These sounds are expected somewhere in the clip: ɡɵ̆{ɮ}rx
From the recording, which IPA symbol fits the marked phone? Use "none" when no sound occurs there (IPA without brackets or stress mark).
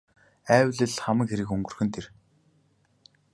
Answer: none